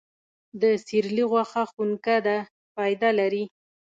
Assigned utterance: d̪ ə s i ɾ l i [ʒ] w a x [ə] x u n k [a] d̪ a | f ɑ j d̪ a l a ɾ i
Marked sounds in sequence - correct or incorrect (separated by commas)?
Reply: incorrect, incorrect, correct